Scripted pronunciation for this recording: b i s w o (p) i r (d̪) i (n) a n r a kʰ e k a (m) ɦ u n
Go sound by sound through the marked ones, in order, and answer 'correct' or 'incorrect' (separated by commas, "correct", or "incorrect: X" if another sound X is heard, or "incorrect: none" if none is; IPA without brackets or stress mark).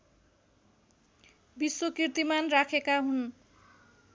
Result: incorrect: k, incorrect: t̪, incorrect: m, incorrect: none